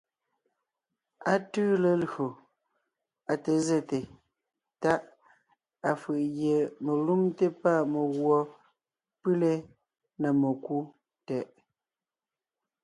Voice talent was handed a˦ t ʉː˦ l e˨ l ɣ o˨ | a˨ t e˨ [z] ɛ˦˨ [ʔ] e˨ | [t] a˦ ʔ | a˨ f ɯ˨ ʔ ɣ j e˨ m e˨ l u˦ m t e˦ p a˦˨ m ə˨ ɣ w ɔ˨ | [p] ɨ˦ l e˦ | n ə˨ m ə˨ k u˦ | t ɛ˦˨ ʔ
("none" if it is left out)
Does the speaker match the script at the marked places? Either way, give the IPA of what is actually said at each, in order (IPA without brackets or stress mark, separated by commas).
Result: z, t, t, p